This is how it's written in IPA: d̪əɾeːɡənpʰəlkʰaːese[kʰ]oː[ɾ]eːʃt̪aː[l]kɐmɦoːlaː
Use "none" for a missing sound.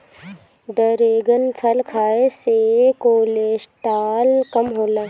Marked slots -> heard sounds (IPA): k, l, l

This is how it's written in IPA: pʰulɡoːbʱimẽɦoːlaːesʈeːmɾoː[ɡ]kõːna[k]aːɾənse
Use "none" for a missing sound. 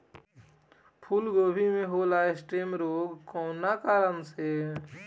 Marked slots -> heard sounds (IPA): ɡ, k

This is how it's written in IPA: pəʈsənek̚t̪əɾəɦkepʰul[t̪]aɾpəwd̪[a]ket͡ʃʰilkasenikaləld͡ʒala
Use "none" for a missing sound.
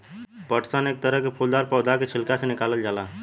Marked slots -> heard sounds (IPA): d̪, a

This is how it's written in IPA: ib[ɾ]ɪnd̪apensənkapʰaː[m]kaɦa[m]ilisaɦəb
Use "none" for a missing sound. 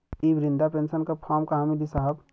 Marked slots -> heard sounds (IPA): ɾ, m, m

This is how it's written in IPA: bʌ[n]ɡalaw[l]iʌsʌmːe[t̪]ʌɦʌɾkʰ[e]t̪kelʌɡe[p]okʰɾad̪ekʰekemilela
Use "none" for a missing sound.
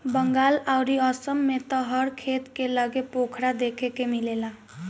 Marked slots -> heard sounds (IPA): ŋ, ɾ, t̪, e, p

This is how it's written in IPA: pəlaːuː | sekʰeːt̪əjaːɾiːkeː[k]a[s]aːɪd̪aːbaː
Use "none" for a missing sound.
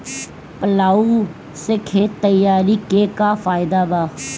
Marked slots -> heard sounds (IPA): k, f

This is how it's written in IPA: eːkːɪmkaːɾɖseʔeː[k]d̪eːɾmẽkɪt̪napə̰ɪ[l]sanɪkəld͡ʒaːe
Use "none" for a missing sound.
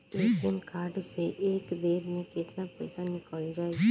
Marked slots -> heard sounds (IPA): k, none

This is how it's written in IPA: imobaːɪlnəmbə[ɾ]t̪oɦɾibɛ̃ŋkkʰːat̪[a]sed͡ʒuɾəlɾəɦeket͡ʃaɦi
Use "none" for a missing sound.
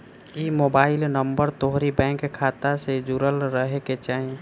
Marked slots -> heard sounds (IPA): ɾ, a

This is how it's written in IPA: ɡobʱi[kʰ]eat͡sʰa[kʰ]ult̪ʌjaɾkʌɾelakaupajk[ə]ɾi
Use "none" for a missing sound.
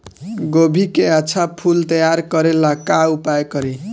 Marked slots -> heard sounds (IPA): k, pʰ, ʌ

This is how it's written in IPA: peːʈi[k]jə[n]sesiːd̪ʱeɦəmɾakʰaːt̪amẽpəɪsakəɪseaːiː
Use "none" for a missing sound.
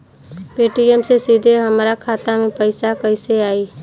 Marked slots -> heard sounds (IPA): none, m

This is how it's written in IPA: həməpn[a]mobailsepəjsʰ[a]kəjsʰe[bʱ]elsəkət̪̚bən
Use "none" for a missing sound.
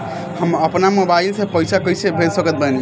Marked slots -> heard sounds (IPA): a, a, bʱ

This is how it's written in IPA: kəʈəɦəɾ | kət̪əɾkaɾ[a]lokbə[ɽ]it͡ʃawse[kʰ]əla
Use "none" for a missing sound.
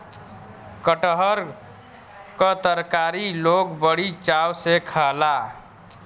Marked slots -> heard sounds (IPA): i, ɽ, kʰ

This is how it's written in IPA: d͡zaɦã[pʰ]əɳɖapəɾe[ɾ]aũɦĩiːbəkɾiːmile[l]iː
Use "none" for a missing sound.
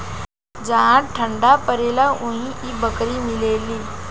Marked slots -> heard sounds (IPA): ʈʰ, l, l

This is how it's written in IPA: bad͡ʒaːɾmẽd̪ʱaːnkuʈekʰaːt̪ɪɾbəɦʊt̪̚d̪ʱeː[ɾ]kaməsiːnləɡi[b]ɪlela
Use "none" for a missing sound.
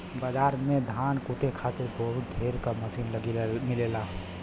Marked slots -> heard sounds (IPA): ɾ, m

